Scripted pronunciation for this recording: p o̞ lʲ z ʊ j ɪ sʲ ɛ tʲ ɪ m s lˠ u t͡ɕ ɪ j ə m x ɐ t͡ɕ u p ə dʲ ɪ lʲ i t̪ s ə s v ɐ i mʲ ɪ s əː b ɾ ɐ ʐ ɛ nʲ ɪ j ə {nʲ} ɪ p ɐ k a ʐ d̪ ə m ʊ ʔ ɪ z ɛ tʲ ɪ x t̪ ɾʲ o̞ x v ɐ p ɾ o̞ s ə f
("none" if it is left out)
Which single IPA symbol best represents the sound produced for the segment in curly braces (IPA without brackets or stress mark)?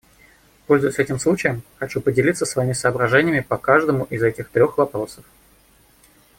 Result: mʲ